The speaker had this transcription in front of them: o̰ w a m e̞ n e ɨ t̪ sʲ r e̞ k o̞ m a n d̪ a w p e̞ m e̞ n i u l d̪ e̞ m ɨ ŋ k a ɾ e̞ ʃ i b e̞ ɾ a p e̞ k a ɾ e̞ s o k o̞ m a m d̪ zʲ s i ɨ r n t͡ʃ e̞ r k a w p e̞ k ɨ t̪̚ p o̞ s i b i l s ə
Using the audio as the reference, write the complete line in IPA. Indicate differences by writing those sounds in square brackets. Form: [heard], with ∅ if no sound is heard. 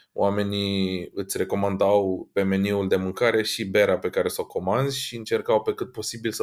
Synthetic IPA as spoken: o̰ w a m e̞ n [i] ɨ t̪ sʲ r e̞ k o̞ m a n d̪ a w p e̞ m e̞ n i u l d̪ e̞ m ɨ ŋ k a ɾ e̞ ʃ i b e̞ ɾ a p e̞ k a ɾ e̞ s o k o̞ m a [n] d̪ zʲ [ʃ] i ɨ [∅] n t͡ʃ e̞ r k a w p e̞ k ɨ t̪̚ p o̞ s i b i l s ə